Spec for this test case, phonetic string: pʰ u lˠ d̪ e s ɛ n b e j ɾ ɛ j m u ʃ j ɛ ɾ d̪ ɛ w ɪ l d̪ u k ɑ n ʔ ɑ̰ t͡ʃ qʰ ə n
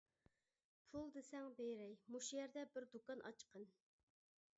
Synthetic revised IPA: pʰ u lˠ d̪ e s ɛ ŋ b e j ɾ ɛ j m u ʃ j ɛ ɾ d̪ ɛ b ɪ ɾ d̪ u k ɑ n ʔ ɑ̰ t͡ʃ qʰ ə n